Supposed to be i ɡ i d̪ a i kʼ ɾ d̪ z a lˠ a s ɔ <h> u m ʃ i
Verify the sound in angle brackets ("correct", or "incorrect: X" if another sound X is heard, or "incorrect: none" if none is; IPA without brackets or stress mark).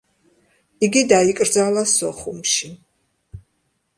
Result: incorrect: χ